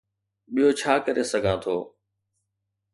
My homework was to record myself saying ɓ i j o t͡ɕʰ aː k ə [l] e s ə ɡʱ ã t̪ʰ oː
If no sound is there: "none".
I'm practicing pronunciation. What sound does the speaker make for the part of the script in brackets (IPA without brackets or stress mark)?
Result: ɾ